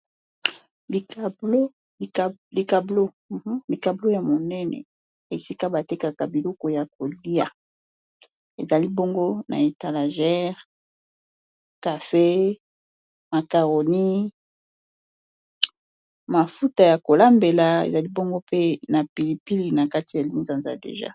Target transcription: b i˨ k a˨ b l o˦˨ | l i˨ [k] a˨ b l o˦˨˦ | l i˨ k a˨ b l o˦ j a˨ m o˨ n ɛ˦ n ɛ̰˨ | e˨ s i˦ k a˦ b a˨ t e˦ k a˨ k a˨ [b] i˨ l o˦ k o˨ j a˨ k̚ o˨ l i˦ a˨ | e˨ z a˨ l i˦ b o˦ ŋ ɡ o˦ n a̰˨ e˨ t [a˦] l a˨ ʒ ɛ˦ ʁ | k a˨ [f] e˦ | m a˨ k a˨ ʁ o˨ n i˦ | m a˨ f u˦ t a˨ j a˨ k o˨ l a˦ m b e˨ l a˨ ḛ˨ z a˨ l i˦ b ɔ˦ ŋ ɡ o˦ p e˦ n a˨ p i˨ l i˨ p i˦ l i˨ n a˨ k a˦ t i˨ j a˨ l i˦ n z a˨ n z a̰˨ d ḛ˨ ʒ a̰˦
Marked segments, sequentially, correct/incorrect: correct, correct, incorrect: a˨, correct

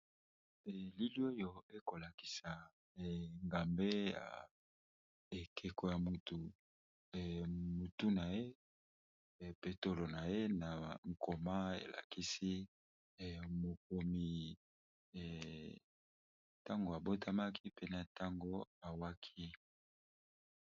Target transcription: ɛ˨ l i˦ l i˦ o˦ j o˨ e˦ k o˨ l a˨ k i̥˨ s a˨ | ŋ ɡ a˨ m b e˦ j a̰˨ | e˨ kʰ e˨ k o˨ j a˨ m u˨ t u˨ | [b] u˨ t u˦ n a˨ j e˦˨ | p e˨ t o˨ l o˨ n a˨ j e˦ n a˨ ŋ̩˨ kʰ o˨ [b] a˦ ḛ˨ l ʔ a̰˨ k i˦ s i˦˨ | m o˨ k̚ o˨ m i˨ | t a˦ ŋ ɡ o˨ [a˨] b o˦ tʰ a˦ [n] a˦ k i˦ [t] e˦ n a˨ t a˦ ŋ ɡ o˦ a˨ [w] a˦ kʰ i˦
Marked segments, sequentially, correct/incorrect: incorrect: m, incorrect: m, correct, incorrect: m, incorrect: p, correct

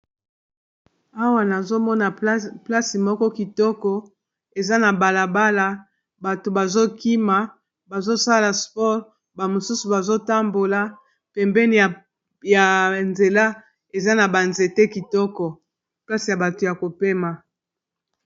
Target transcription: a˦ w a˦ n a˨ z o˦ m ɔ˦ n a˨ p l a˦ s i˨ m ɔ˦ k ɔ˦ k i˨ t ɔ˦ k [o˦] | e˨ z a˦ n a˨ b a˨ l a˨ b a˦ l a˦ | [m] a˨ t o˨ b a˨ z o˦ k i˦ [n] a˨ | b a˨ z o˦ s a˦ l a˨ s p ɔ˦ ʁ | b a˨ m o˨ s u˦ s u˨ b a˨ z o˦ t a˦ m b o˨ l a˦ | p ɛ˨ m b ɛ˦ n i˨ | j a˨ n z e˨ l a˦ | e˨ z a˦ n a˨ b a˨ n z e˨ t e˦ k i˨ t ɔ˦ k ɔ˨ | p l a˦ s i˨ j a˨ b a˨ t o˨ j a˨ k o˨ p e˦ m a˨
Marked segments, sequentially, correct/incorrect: incorrect: ɔ˦, incorrect: b, incorrect: m

